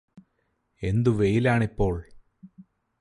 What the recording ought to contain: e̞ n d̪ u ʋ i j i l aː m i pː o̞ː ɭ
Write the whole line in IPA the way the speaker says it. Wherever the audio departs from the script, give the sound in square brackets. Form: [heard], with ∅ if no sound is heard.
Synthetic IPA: e̞ n d̪ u ʋ [e] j i l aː [ɳ] i pː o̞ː ɭ